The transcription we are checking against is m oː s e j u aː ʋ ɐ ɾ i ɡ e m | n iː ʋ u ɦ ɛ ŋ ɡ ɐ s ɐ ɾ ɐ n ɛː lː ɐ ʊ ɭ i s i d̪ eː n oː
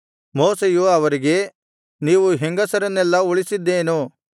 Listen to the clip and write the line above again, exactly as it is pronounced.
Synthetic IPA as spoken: m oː s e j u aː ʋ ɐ ɾ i ɡ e | n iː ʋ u ɦ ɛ ŋ ɡ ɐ s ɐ ɾ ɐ n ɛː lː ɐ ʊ ɭ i s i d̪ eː n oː

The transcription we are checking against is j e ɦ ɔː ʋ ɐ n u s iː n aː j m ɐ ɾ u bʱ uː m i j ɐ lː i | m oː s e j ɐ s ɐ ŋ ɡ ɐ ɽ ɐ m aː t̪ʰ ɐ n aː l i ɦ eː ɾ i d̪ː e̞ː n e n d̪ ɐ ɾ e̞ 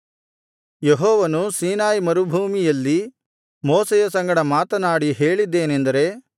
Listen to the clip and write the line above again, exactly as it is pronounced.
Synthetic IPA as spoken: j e ɦ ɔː ʋ ɐ n u s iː n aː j m ɐ ɾ u bʱ uː m i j ɐ lː i | m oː s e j ɐ s ɐ ŋ ɡ ɐ ɽ ɐ m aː t̪ ɐ n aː ɽ i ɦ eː ɭ i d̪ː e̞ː n e n d̪ ɐ ɾ e̞

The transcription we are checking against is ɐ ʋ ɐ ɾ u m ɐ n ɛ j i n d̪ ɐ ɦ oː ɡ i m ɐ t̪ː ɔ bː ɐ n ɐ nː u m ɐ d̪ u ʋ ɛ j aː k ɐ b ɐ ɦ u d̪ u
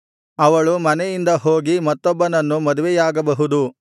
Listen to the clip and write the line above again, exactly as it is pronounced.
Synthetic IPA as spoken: ɐ ʋ ɐ ɭ u m ɐ n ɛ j i n d̪ ɐ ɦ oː ɡ i m ɐ t̪ː ɔ bː ɐ n ɐ nː u m ɐ d̪ u ʋ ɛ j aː ɡ ɐ b ɐ ɦ u d̪ u

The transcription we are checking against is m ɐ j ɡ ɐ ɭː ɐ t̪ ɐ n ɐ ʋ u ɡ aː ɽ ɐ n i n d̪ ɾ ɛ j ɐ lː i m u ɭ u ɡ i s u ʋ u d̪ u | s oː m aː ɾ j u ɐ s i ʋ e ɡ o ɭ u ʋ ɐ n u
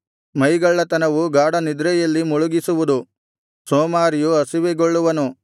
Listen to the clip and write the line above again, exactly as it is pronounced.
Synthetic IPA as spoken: m ɐ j ɡ ɐ ɭː ɐ t̪ ɐ n ɐ ʋ u ɡ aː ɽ ɐ n i d̪ ɾ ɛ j ɐ lː i m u ɭ u ɡ i s u ʋ u d̪ u | s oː m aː ɾ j u ɐ s i ʋ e ɡ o ɭː u ʋ ɐ n u

